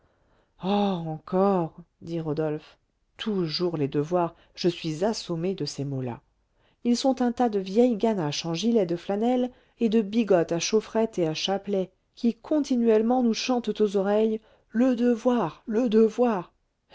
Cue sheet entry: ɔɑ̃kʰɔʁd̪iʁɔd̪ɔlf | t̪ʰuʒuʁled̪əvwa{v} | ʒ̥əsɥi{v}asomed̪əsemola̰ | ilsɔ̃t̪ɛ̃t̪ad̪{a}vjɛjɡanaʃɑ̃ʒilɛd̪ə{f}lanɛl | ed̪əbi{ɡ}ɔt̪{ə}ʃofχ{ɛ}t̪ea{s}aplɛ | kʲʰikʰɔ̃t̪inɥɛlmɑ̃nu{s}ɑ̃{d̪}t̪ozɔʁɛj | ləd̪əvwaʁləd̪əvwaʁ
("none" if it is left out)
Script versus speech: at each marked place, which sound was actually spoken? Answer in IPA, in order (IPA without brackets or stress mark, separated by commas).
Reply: ʁ, z, ə, f, ɡ, a, ɛ, ʃ, ʃ, t̪